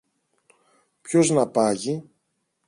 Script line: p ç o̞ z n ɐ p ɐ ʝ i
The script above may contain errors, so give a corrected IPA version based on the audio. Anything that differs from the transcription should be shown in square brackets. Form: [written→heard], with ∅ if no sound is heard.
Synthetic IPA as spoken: p ç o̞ z n ɐ p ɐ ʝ i